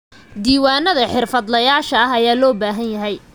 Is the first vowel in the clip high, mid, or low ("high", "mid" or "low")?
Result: high